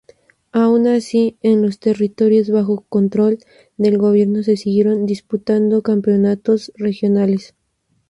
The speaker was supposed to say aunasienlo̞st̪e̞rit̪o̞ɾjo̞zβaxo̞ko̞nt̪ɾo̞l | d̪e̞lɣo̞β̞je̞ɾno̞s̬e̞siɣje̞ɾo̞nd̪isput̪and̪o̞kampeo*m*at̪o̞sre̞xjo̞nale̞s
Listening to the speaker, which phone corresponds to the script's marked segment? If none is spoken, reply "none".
n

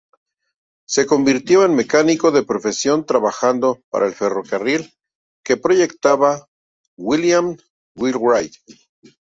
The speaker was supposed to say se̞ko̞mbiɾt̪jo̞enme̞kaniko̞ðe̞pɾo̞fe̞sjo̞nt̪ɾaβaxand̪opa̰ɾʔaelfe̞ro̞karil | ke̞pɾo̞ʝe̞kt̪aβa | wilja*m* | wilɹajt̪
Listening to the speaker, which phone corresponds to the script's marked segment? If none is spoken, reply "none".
m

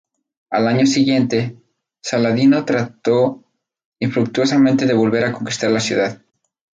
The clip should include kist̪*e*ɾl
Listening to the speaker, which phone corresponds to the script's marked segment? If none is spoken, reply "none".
a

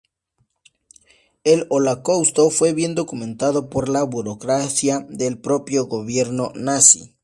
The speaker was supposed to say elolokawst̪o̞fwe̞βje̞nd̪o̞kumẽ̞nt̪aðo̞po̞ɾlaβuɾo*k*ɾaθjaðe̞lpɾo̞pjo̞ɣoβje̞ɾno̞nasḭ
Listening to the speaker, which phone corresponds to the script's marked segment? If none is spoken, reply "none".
k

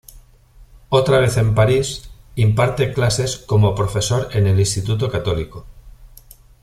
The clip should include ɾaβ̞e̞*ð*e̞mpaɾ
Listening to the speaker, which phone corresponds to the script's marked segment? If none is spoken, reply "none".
θ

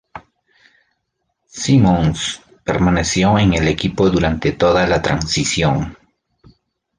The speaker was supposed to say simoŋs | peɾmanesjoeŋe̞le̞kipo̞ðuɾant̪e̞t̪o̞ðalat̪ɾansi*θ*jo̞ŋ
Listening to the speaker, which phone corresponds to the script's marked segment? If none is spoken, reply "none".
s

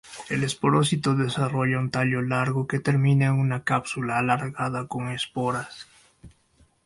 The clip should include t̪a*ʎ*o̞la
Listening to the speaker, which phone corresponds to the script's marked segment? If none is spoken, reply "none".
ʎ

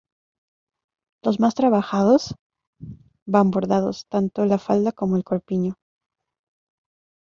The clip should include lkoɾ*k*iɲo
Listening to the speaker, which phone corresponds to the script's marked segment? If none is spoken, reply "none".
p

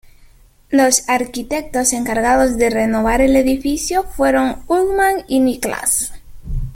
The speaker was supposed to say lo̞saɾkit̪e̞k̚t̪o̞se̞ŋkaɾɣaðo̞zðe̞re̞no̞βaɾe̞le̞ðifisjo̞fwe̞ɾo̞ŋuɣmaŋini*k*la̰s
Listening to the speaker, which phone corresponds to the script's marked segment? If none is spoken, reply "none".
k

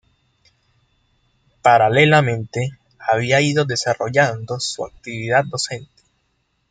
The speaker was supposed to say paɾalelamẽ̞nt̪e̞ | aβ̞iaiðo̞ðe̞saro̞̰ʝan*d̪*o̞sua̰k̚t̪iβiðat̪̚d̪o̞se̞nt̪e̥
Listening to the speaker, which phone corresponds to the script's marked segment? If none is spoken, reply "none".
d̪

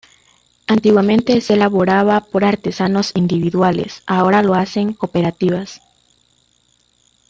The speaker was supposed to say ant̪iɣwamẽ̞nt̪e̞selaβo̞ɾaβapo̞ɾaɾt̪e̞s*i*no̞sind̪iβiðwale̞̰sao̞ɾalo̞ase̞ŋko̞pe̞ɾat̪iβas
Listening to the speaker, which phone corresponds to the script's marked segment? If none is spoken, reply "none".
a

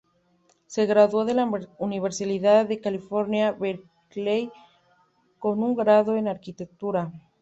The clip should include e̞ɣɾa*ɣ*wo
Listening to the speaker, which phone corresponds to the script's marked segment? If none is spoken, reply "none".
ð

